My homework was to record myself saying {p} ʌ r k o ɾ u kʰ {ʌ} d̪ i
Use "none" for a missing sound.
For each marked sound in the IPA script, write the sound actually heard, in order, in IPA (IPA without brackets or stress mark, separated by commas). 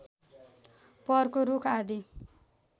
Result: p, a